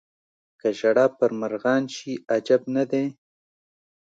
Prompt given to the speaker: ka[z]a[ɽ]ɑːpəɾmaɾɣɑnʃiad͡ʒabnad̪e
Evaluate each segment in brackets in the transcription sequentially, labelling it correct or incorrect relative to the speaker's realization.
incorrect, correct

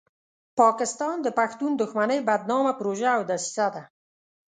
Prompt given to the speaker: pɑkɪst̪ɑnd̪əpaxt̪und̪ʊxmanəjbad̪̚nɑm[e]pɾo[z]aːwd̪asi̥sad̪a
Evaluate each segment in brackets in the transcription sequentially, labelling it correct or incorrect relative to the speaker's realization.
incorrect, incorrect

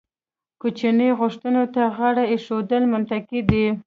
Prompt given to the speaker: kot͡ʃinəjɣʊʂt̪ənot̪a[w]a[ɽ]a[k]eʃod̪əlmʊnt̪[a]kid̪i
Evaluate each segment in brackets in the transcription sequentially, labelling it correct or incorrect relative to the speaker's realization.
incorrect, correct, incorrect, correct

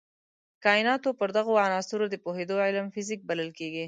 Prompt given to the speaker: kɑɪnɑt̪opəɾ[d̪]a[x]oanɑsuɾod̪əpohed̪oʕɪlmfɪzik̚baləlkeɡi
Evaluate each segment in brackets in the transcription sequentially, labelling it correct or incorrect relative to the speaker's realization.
correct, incorrect

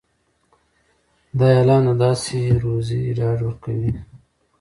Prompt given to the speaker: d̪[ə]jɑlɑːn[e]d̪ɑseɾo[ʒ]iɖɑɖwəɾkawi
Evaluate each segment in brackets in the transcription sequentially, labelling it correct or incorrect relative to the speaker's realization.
incorrect, incorrect, incorrect

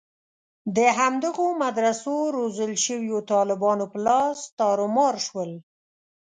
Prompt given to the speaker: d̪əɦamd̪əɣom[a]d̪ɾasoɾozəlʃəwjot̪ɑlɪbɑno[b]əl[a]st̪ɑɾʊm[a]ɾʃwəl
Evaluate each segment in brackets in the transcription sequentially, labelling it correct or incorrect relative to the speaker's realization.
correct, incorrect, incorrect, incorrect

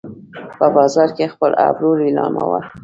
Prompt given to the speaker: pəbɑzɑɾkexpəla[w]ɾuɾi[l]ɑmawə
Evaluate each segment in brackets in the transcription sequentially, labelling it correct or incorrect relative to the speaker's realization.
incorrect, correct

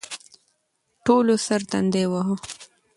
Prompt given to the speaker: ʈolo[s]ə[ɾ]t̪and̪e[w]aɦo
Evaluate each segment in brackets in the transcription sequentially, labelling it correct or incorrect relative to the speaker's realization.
correct, correct, correct

